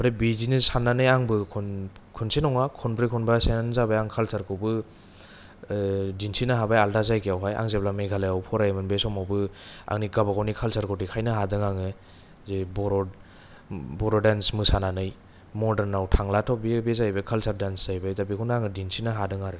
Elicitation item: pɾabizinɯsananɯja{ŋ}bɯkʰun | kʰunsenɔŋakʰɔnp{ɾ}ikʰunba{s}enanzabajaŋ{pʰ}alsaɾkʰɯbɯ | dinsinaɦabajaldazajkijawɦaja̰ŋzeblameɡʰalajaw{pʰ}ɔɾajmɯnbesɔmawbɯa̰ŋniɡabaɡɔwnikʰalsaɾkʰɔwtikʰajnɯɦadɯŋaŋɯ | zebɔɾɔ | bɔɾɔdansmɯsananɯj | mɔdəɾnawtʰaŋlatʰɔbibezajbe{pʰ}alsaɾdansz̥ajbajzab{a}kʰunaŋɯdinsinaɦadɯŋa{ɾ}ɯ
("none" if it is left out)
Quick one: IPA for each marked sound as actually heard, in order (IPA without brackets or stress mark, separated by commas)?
ŋ, ɾ, s, kʰ, pʰ, kʰ, i, ɾ